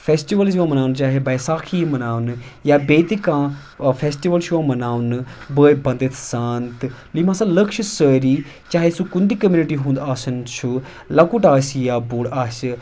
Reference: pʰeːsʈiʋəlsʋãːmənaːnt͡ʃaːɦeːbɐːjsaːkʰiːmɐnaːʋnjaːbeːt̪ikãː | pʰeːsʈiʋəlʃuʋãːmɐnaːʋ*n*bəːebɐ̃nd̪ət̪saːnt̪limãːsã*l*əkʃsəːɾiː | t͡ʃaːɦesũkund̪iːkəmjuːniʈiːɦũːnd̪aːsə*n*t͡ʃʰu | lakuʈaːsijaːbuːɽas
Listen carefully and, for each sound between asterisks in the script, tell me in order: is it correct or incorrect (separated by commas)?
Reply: correct, correct, correct